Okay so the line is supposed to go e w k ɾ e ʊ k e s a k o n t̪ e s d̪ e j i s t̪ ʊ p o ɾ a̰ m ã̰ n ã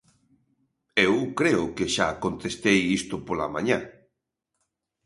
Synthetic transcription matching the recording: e w k ɾ e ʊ k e ʃ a k o n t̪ e s t̪ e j i s t̪ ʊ p o l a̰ m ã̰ ɲ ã